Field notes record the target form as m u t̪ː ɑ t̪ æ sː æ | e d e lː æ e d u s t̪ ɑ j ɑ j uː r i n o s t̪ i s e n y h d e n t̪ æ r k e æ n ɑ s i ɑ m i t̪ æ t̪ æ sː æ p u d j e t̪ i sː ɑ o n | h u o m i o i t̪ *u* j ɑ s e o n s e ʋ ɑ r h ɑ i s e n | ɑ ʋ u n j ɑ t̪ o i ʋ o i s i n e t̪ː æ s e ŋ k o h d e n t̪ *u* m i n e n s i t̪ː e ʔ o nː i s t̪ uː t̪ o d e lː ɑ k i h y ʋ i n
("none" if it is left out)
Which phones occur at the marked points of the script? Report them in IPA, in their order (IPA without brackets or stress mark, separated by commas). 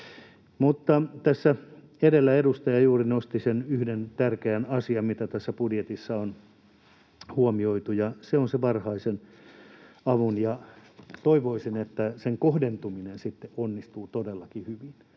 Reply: u, u